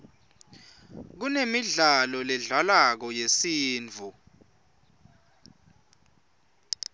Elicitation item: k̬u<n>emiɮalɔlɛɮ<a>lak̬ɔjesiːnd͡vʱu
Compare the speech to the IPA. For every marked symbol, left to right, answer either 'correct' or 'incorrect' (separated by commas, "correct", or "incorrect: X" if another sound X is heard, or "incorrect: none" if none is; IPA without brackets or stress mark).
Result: correct, correct